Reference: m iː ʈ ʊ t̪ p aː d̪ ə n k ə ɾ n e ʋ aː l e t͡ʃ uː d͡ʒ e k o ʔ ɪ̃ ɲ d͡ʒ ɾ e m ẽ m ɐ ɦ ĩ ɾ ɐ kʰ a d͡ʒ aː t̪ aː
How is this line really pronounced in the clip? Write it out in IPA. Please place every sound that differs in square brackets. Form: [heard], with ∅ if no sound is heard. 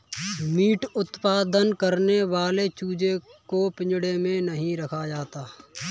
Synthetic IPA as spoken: m iː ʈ ʊ t̪ p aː d̪ ə n k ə ɾ n e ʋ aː l e t͡ʃ uː d͡ʒ e k o [p] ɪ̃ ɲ d͡ʒ [ɽ] e m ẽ [n] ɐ ɦ ĩ ɾ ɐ kʰ a d͡ʒ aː t̪ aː